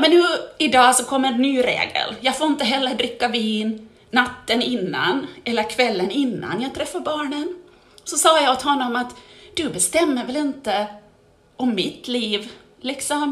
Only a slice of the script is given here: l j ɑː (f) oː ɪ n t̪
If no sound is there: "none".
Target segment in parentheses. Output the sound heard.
f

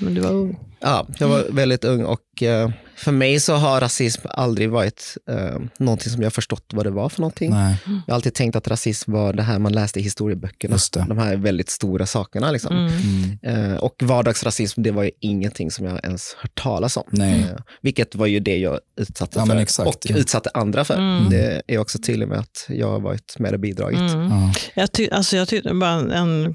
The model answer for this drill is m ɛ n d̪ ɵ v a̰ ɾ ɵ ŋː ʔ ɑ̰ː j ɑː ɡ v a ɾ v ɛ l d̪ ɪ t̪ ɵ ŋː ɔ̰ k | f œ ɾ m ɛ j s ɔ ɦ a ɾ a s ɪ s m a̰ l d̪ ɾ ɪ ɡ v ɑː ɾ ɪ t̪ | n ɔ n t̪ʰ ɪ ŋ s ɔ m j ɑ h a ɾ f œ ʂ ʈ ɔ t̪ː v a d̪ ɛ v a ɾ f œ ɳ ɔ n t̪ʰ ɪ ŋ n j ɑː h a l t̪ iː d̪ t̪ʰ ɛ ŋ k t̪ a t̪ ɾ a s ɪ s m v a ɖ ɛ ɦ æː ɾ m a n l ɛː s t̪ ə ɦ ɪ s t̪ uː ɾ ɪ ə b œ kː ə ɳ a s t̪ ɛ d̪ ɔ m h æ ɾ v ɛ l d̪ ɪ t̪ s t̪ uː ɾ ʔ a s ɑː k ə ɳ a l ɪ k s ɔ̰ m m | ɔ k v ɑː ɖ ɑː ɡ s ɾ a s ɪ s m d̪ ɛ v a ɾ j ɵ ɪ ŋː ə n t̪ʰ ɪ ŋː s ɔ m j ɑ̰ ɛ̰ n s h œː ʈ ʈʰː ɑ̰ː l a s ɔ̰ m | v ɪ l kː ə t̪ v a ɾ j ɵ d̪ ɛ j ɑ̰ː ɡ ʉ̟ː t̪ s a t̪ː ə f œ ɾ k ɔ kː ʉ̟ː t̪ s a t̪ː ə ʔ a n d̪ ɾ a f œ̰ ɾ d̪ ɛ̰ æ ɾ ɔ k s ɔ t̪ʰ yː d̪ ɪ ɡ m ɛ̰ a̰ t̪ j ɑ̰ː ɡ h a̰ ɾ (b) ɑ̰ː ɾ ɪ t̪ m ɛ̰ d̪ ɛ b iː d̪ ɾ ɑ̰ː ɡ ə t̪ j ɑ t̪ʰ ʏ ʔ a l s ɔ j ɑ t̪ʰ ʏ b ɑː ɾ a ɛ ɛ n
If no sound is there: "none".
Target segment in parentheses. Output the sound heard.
v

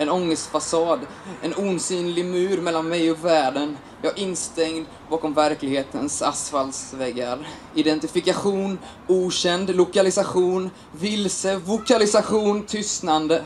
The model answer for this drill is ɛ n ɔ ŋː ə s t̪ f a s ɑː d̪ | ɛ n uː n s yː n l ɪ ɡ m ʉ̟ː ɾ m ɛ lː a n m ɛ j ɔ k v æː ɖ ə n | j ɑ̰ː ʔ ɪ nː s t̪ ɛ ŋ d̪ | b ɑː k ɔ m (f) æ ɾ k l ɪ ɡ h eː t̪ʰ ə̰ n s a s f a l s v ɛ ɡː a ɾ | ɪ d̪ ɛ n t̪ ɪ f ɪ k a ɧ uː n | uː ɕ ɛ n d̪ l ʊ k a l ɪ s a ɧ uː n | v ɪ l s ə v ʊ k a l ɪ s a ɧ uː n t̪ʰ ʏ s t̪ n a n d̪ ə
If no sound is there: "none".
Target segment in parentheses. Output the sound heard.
v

